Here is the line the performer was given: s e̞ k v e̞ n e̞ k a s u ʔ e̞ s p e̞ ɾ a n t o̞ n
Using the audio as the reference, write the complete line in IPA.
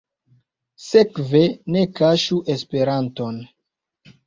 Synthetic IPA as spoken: s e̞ k v e̞ n e̞ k a ʃ u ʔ e̞ s p e̞ ɾ a n t o̞ n